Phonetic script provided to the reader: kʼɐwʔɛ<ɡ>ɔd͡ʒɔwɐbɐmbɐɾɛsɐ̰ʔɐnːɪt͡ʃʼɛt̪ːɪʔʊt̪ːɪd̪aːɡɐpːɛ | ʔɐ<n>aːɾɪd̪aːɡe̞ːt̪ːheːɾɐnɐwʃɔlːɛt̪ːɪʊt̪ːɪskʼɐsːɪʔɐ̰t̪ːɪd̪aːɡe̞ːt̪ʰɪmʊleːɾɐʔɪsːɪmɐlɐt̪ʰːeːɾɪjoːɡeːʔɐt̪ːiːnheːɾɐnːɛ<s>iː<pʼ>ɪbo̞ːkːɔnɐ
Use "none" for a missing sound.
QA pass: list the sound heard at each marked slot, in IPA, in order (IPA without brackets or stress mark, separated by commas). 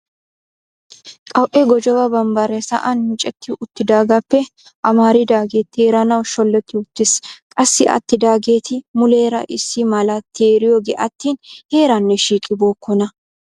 ɡ, m, ʃ, kʼ